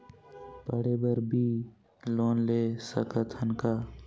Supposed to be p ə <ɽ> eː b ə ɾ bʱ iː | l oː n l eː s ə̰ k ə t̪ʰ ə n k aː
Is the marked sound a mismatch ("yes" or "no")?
no